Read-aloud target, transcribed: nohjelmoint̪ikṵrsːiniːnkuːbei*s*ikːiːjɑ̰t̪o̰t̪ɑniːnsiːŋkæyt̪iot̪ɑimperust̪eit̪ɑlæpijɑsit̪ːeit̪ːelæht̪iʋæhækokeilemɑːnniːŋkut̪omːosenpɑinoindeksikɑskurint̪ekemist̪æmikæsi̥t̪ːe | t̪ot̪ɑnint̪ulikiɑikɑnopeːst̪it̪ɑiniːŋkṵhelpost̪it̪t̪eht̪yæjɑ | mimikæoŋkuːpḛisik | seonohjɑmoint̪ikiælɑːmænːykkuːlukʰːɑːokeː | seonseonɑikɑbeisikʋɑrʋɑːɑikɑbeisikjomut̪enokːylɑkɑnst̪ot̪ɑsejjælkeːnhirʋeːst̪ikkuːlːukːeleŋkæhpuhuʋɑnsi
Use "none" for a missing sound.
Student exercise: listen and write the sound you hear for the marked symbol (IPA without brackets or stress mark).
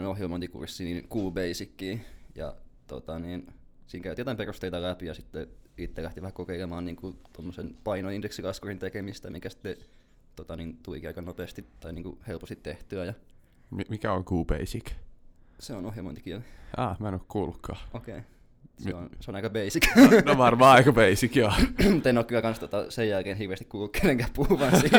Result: s